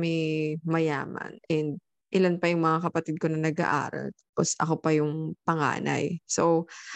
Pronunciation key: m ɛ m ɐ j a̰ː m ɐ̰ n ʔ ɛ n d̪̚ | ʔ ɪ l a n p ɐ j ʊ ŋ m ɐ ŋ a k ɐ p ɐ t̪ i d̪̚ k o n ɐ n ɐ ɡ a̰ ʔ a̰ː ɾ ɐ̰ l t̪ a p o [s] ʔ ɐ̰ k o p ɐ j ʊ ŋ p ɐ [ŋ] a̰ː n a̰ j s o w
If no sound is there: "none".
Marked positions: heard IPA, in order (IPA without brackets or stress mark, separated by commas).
s, ŋ